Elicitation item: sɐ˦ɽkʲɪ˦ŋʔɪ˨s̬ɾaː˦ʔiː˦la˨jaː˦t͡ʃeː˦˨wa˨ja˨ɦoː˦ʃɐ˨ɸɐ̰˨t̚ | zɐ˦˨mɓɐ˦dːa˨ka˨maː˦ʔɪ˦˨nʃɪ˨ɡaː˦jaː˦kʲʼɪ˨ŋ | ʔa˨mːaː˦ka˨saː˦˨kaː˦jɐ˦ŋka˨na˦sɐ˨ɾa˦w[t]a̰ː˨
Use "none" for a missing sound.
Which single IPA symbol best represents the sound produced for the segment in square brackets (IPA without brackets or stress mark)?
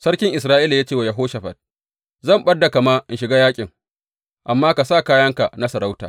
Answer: t